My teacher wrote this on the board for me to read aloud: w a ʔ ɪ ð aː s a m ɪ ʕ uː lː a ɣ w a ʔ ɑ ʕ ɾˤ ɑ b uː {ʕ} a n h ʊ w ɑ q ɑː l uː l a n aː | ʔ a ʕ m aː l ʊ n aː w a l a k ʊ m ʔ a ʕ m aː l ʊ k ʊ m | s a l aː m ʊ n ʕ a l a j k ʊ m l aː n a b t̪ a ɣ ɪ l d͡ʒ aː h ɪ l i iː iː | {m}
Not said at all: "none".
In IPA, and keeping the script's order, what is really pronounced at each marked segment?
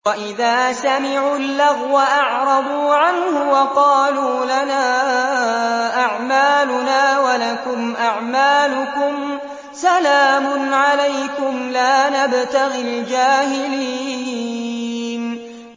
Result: ʕ, n

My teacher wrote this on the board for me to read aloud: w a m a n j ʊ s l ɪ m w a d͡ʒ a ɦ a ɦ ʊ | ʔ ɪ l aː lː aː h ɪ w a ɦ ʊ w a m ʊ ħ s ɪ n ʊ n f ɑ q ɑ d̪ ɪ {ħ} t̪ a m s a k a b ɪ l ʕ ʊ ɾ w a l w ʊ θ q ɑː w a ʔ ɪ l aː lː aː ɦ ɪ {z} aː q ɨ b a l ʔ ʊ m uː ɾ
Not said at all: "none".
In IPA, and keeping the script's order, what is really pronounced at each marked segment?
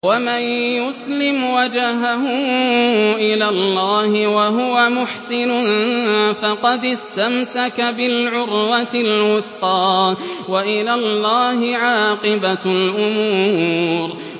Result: s, ʕ

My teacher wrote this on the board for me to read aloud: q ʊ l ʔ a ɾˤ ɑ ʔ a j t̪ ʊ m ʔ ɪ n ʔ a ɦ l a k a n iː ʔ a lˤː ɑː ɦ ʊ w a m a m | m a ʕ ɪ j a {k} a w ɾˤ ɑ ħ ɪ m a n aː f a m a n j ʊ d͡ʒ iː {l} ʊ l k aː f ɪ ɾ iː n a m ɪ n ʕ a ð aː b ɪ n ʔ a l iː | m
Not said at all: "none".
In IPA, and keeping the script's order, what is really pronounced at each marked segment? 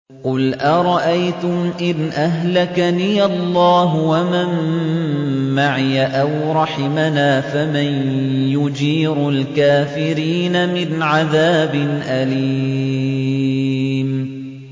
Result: ʔ, ɾ

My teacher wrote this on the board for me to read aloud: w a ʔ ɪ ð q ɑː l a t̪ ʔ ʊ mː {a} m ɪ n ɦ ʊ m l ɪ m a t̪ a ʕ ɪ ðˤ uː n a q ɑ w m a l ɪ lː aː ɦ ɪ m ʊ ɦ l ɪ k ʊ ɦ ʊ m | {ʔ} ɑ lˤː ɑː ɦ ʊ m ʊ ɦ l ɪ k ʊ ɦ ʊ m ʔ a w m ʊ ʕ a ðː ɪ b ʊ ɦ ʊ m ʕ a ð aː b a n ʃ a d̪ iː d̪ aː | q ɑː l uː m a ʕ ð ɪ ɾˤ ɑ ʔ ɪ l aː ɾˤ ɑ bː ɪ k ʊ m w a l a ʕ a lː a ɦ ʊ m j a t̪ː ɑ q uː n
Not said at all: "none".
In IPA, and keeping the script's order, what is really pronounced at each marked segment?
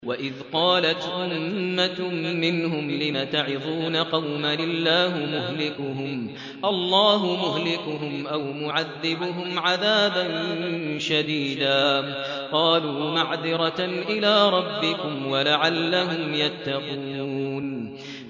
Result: a, ʔ

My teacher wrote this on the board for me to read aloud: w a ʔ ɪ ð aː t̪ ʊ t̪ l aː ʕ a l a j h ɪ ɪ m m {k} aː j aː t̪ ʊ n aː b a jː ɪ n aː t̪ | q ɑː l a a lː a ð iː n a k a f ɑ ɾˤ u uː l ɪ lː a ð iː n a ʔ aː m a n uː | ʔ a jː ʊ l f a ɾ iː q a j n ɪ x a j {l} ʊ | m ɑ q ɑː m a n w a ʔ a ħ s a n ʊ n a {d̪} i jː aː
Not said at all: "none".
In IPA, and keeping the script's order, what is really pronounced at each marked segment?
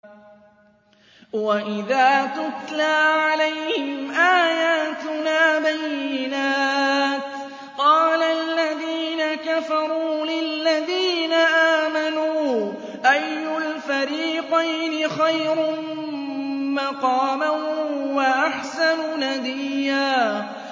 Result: ʔ, ɾ, d̪

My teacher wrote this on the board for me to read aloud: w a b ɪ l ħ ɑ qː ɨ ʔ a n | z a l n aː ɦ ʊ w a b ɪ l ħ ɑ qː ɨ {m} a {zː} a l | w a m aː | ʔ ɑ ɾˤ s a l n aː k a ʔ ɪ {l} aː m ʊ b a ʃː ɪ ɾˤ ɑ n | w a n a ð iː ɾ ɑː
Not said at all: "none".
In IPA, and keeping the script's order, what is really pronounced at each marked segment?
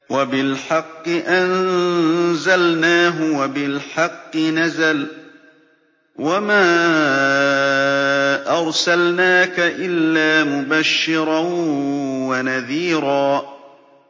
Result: n, z, lː

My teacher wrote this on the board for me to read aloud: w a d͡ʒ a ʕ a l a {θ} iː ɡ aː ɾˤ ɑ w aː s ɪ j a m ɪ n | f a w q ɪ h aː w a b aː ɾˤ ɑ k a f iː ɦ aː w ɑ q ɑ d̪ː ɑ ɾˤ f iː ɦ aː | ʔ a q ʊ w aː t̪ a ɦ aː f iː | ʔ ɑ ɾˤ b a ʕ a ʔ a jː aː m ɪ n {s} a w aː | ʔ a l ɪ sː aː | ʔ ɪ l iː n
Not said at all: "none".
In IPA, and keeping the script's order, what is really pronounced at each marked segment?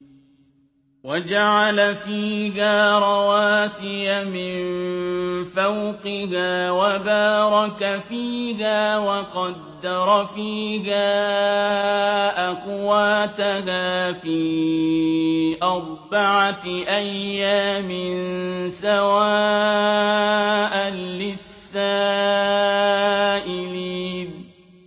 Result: f, s

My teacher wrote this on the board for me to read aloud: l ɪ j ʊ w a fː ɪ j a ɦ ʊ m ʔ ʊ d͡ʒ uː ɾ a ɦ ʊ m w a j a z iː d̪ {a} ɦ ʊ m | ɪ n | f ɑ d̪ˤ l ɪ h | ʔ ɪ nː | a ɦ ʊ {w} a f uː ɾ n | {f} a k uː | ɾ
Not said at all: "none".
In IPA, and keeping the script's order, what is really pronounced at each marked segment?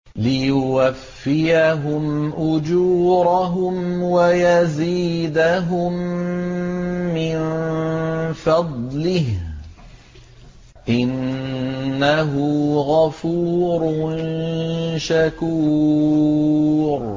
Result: a, ɣ, ʃ

